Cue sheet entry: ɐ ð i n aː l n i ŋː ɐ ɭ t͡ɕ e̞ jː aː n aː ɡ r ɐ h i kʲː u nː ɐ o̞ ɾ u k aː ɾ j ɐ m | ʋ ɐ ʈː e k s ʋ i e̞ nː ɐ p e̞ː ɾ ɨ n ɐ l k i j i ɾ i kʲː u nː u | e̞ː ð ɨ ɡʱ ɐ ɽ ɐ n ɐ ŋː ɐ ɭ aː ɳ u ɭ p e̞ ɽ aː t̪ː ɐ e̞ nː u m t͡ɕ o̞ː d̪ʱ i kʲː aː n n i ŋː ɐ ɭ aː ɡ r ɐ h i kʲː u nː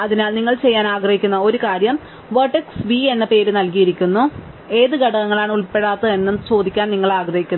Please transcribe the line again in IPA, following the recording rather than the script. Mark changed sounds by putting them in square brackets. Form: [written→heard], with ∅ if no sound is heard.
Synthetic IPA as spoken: ɐ ð i n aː l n i ŋː ɐ ɭ t͡ɕ e̞ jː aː n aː ɡ r ɐ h i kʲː u nː ɐ o̞ ɾ u k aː ɾ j ɐ m | ʋ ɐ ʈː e k s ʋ i e̞ nː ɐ p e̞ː ɾ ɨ n ɐ l k i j i ɾ i kʲː u nː u | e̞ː ð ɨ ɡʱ ɐ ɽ ɐ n ɐ ŋː ɐ ɭ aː ɳ u ɭ p e̞ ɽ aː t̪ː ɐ e̞ nː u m t͡ɕ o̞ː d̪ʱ i kʲː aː n n i ŋː ɐ ɭ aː ɡ r ɐ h i kʲː u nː